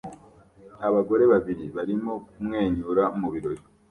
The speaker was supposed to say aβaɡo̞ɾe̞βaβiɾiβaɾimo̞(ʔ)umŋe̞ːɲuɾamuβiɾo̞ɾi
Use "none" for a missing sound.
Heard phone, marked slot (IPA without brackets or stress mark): k